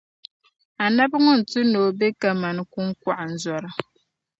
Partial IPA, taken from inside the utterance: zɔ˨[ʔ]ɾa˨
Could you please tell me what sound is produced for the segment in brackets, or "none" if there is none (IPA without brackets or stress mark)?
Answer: none